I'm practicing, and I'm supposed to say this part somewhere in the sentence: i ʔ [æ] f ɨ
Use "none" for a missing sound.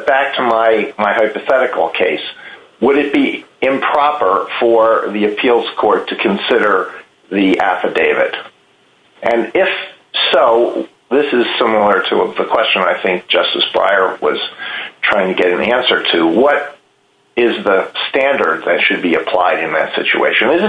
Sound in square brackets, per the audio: æ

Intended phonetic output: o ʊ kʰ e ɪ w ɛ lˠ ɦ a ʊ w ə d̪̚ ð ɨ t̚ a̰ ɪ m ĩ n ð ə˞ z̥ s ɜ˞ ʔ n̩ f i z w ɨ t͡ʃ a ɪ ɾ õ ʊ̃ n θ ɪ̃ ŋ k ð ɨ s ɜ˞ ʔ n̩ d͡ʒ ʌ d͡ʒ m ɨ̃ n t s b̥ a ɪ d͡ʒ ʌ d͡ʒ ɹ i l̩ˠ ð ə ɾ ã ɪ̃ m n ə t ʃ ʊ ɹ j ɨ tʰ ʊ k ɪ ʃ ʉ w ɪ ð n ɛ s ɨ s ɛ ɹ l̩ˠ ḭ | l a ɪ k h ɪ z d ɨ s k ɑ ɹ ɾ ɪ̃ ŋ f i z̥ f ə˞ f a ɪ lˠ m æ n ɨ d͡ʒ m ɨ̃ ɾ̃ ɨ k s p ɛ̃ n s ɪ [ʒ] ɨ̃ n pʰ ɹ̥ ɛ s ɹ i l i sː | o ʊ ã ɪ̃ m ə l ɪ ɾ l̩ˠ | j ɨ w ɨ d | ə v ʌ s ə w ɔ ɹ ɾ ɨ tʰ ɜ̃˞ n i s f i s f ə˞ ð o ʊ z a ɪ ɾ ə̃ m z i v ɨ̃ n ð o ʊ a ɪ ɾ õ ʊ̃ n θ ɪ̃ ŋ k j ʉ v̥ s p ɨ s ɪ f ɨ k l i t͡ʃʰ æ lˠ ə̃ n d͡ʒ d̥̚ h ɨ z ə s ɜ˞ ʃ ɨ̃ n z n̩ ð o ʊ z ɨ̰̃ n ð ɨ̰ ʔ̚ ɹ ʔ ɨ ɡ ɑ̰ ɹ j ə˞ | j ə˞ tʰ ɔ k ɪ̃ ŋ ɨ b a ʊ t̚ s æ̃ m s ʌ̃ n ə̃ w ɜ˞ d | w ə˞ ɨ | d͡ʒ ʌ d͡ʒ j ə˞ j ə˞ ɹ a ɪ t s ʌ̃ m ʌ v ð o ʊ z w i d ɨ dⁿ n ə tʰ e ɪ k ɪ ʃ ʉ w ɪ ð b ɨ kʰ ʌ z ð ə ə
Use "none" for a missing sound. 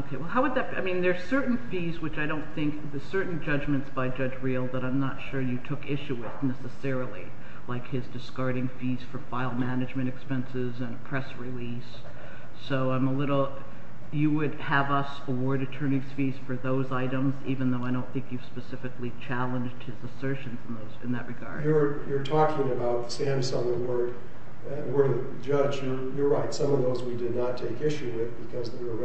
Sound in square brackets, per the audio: z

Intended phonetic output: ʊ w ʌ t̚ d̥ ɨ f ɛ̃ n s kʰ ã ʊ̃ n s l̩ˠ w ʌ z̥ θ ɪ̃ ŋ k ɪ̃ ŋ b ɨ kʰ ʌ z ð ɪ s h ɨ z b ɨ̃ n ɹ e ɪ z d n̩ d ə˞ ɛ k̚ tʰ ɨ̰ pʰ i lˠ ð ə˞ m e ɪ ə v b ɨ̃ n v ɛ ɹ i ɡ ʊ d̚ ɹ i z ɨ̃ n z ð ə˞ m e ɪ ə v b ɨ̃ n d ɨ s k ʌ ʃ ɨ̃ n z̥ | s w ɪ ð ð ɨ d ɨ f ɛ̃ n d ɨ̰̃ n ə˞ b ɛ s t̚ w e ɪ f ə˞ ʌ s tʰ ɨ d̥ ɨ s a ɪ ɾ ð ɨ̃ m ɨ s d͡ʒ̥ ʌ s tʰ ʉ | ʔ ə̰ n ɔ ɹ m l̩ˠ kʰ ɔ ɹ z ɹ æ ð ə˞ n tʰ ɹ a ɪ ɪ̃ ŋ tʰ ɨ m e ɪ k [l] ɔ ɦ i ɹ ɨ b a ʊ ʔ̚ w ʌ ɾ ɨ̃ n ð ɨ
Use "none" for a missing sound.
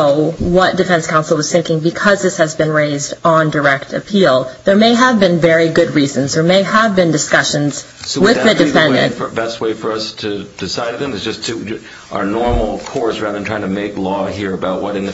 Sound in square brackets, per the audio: l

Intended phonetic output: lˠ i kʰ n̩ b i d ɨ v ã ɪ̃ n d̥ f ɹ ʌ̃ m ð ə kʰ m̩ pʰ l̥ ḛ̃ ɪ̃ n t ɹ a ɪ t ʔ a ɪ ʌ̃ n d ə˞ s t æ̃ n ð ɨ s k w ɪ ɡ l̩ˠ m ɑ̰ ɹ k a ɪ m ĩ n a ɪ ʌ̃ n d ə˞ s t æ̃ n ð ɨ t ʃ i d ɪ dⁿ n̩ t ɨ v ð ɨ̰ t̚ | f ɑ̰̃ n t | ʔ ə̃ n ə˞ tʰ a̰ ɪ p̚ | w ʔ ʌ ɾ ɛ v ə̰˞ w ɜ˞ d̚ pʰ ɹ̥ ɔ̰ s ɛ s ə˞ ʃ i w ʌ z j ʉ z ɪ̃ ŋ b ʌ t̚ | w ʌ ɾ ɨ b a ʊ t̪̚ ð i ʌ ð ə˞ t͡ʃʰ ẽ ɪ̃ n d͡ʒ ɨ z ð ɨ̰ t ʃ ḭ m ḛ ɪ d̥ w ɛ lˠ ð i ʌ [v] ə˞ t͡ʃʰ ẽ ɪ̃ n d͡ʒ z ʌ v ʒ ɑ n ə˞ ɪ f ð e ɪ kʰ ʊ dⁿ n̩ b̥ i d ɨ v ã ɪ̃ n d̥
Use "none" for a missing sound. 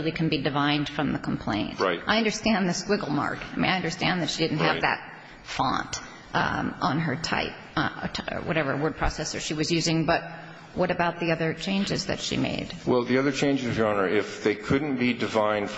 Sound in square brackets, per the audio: ð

